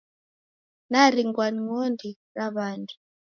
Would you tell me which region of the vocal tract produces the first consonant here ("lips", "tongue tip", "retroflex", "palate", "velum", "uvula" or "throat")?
tongue tip